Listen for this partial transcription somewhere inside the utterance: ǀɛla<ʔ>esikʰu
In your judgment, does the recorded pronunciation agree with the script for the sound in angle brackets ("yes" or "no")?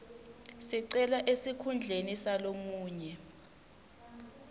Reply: yes